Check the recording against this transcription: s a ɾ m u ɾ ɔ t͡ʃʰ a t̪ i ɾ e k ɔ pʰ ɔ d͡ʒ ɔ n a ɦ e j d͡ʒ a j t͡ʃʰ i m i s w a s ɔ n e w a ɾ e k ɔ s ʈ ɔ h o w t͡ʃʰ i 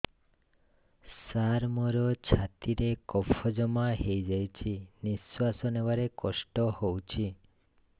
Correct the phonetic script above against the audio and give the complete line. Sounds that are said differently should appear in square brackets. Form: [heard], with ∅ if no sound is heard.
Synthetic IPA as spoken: s a ɾ m [ɔ] ɾ ɔ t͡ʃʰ a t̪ i ɾ e k ɔ pʰ ɔ d͡ʒ ɔ [m] a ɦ e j d͡ʒ a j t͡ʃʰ i [n] i s w a s ɔ n e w a ɾ e k ɔ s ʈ ɔ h o w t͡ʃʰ i